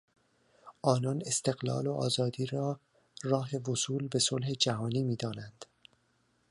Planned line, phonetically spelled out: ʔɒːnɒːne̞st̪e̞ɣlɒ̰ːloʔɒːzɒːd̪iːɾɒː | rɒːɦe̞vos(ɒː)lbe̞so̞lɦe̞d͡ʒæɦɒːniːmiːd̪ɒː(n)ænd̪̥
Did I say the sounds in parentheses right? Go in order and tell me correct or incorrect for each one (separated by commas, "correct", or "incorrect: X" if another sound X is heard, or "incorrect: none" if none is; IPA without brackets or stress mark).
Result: incorrect: uː, correct